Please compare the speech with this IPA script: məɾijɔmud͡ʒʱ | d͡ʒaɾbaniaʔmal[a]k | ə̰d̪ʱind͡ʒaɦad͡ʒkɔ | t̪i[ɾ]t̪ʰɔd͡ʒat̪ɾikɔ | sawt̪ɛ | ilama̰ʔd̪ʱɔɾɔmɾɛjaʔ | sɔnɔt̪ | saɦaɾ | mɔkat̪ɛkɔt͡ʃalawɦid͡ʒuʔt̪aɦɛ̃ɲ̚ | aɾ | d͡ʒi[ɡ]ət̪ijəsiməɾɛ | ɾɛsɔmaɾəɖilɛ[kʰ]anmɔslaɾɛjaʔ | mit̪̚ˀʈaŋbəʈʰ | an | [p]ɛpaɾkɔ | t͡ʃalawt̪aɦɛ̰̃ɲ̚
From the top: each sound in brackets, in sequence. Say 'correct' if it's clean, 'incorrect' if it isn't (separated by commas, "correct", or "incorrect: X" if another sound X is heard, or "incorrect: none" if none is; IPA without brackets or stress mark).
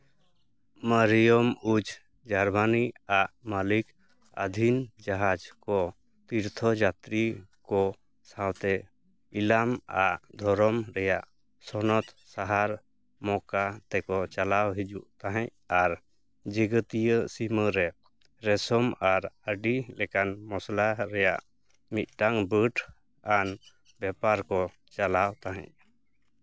incorrect: i, correct, correct, incorrect: k, incorrect: b